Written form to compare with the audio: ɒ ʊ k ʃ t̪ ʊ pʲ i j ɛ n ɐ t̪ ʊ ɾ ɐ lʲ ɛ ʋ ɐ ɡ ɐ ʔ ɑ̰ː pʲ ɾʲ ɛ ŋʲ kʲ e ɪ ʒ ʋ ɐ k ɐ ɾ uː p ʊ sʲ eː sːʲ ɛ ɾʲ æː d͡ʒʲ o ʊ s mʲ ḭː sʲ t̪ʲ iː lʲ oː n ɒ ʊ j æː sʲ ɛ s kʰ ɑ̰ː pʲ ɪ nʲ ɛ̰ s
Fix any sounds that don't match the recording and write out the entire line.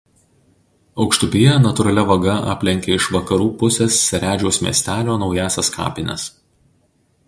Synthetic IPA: ɒ ʊ k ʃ t̪ ʊ pʲ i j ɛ n ɐ t̪ ʊ ɾ ɐ lʲ ɛ ʋ ɐ ɡ ɐ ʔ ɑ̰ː pʲ lʲ ɛ ŋʲ kʲ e ɪ ʃ ʋ ɐ k ɐ ɾ uː p ʊ sʲ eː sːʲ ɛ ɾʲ æː d͡ʒʲ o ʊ s mʲ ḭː sʲ t̪ʲ æː lʲ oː n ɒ ʊ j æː sʲ ɛ s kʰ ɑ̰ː pʲ ɪ nʲ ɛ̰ s